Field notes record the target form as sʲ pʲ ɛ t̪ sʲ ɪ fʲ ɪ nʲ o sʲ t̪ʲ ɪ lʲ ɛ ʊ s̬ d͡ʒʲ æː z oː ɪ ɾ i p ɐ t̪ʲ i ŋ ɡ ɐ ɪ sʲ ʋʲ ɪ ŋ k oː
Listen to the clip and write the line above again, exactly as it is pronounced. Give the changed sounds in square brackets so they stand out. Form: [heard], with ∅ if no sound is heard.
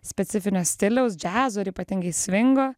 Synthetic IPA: sʲ pʲ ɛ t̪ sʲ ɪ fʲ ɪ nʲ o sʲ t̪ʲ ɪ lʲ ɛ ʊ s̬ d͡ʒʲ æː z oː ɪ ɾ i p ɐ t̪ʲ [ɪ] ŋ ɡ ɐ ɪ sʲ ʋʲ ɪ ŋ [ɡ] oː